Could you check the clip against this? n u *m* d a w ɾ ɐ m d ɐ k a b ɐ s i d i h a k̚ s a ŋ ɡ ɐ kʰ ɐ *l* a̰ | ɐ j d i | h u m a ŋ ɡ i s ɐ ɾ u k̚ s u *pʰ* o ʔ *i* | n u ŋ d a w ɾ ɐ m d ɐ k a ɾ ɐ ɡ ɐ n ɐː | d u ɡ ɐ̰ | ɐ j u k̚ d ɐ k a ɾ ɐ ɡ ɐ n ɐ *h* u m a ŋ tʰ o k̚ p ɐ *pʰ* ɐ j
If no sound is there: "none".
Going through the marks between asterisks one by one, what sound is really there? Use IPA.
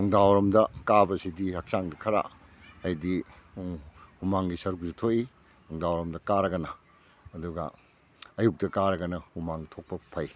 ŋ, ɾ, tʰ, i, h, pʰ

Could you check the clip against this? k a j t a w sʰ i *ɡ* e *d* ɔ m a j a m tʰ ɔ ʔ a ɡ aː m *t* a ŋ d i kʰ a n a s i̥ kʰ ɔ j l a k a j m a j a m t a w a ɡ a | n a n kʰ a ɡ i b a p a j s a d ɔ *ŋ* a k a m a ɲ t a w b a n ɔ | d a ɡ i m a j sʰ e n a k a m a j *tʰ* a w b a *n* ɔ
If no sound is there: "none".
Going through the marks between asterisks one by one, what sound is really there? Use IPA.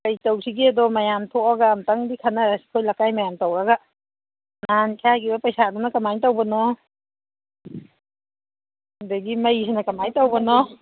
ɡ, d, t, n, t, n

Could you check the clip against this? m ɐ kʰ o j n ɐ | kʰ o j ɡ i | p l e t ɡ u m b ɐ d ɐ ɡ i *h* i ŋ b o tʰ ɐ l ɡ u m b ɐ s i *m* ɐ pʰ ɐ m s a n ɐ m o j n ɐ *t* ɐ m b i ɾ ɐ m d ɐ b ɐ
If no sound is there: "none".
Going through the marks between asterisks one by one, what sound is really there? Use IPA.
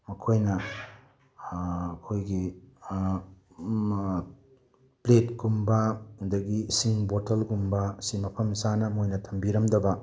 s, m, tʰ

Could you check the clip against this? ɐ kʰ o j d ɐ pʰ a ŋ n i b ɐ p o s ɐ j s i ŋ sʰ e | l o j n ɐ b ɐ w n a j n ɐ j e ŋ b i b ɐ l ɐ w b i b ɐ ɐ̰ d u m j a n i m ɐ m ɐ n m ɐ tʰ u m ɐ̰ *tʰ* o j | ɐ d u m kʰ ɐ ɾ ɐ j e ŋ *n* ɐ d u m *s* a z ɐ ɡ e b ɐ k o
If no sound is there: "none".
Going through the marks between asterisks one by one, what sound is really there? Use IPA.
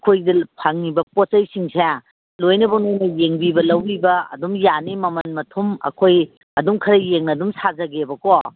kʰ, n, s

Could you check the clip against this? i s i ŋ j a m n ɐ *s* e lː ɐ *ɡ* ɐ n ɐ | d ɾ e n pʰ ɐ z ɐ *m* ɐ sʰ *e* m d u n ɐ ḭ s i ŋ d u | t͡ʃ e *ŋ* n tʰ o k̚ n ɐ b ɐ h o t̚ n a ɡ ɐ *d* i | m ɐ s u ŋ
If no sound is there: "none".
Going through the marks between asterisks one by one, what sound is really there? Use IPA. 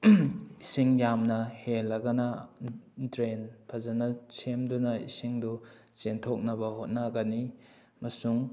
h, ɡ, n, e, none, n

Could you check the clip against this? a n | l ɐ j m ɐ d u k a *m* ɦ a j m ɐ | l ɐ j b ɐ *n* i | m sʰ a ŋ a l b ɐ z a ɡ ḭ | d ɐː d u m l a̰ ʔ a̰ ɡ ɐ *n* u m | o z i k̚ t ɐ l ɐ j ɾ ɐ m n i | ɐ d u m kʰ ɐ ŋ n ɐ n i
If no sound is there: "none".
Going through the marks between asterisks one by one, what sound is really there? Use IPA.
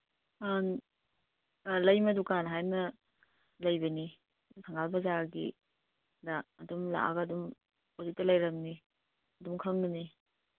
n, n, d

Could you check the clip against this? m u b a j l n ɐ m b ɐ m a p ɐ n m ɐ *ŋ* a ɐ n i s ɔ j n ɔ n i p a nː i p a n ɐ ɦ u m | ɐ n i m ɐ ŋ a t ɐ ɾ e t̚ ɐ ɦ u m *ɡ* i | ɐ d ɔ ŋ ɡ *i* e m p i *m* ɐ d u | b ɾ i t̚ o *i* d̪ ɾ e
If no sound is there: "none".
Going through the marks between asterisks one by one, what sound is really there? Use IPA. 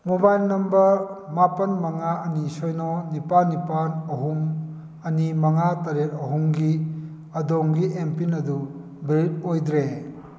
ŋ, ɡ, i, n, j

